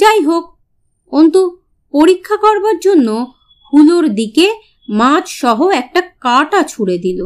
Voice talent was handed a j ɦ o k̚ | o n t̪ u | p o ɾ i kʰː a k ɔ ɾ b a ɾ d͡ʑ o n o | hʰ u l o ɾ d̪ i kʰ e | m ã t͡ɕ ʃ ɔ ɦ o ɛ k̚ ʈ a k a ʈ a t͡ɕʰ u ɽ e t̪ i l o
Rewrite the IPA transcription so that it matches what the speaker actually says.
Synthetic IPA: a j ɦ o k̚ | o n t̪ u | p o ɾ i kʰː a k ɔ ɾ b a ɾ d͡ʑ o nː o | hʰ u l o ɾ d̪ i k e | m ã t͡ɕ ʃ ɔ ɦ o ɛ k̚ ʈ a k a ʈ a t͡ɕʰ u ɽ e d̪ i l o